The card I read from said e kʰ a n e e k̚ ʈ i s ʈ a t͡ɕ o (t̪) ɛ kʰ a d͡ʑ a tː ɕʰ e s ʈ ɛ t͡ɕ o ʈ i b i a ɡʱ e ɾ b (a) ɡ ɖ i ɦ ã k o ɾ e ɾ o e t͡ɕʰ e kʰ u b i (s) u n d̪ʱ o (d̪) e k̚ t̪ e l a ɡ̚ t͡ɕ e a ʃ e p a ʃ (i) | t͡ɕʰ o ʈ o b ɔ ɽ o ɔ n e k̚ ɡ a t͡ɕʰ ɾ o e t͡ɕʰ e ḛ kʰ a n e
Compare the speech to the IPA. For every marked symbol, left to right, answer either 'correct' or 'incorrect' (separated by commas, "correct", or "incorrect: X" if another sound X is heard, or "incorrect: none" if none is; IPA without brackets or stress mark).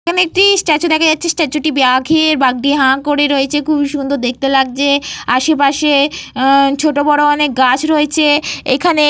incorrect: d̪, correct, incorrect: ʃ, correct, incorrect: e